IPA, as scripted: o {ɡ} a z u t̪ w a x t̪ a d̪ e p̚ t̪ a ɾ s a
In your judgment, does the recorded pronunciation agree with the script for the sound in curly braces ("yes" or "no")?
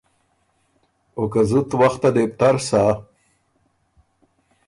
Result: no